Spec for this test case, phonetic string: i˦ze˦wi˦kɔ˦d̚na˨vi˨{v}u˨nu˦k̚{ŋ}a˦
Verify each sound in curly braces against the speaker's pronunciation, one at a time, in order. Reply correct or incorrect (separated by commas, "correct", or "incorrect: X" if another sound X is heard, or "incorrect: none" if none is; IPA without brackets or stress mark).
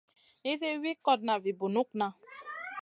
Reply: incorrect: b, incorrect: n